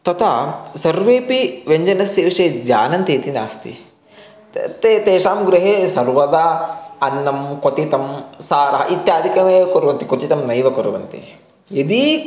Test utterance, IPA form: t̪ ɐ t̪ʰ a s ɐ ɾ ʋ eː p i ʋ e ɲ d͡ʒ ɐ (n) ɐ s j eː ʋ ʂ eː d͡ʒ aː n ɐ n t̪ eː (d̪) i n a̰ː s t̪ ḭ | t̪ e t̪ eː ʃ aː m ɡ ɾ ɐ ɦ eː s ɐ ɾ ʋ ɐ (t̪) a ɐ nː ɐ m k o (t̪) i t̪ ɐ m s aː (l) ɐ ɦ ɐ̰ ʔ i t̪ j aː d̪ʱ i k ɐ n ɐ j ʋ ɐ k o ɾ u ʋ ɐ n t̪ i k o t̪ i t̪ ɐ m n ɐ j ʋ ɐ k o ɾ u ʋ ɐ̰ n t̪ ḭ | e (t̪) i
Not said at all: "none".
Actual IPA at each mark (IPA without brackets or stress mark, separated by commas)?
n, t̪, d̪, t̪, ɾ, d̪